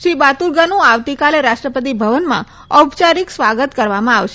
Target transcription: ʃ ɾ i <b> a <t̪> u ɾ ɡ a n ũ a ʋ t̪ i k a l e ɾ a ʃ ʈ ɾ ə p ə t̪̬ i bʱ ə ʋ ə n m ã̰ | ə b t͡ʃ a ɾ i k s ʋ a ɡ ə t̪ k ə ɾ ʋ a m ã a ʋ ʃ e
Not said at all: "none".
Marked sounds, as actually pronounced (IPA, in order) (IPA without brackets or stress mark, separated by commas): b, t̪